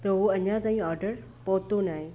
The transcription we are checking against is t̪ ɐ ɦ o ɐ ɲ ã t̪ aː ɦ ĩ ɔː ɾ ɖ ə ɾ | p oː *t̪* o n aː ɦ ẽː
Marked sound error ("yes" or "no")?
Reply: no